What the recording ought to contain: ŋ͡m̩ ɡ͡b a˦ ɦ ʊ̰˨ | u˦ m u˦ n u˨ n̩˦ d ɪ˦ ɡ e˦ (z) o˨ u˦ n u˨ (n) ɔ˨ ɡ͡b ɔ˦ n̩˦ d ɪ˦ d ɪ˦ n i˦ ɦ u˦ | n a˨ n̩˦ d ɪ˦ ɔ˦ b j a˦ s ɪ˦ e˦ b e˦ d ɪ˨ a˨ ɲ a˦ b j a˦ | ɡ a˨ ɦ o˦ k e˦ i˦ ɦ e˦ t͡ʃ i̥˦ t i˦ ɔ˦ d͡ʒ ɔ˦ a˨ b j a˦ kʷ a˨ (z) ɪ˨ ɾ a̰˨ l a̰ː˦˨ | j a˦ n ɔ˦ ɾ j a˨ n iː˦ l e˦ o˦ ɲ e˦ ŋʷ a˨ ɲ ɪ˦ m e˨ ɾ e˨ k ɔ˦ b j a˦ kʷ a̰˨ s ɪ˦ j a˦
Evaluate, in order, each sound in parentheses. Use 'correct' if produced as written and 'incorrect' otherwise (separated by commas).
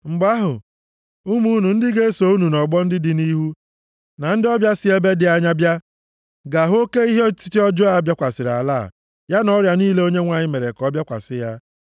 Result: incorrect, correct, incorrect